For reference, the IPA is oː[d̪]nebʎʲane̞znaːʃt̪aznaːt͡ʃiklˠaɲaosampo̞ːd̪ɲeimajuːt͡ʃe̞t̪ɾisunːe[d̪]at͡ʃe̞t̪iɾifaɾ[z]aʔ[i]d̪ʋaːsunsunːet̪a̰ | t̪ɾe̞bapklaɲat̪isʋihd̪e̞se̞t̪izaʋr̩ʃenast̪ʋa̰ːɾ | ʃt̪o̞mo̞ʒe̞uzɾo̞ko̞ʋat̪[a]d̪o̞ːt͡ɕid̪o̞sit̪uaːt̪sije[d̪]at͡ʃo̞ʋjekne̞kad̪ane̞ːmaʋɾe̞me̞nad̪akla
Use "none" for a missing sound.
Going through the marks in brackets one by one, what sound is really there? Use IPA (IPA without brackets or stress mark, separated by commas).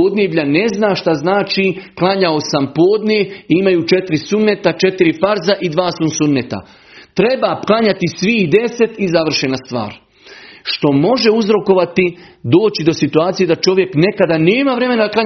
d̪, t̪, z, i, i, d̪